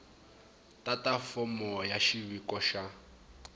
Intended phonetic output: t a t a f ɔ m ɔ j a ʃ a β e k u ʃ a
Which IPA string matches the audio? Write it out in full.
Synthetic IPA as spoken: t a t a f ɔ m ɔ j a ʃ i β i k ɔ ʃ a

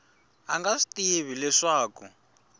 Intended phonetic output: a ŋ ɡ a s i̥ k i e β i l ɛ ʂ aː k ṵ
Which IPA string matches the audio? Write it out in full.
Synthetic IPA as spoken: a ŋ ɡ a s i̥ t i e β i l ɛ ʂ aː k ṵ

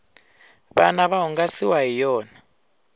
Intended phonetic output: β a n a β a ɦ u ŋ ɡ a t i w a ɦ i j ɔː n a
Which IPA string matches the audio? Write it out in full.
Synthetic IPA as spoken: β a n a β a ɦ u ŋ ɡ a s i w a ɦ i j ɔː n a

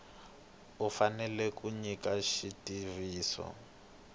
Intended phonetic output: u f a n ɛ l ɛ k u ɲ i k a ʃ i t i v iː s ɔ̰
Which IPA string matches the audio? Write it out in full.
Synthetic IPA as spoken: u f a n ɛ l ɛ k u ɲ i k a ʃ i t i v iː s ɔ̰

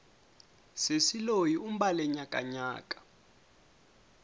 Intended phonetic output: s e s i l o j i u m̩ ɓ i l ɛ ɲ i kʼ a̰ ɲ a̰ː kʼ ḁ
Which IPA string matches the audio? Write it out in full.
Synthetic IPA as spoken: s e s i l o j i u m̩ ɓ a l ɛ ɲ a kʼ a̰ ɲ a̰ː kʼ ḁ

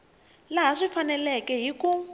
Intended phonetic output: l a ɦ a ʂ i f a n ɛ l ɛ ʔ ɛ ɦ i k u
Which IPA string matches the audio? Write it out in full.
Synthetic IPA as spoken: l a ɦ a ʂ i f a n ɛ l ɛ k ɛ ɦ i k u

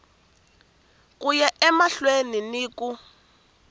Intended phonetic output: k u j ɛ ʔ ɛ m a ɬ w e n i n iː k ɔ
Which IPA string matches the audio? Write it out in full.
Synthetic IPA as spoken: k u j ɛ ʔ ɛ m a ɬ w e n i n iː k u

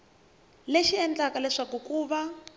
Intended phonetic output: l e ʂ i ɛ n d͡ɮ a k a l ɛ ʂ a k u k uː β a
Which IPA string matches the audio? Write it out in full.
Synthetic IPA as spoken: l e ʃ i ɛ n d͡ɮ a k a l ɛ ʂ a k u k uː β a

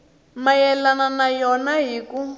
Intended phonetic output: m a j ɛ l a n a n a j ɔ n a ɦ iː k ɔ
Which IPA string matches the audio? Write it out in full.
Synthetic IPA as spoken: m a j ɛ l a n a n a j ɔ n a ɦ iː k u

